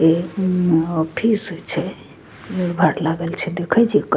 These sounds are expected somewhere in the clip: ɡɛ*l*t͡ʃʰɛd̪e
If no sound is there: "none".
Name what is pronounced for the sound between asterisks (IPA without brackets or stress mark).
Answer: l